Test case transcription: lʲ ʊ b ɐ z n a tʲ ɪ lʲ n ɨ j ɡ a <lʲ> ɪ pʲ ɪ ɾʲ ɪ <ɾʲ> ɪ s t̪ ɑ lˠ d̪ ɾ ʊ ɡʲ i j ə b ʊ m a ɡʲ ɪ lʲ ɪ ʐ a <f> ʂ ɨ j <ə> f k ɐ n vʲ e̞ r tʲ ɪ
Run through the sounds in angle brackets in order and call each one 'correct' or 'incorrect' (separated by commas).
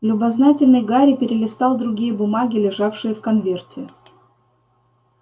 incorrect, incorrect, correct, correct